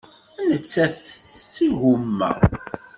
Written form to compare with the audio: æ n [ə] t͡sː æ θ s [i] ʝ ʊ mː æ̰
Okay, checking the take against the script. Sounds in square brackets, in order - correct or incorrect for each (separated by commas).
correct, correct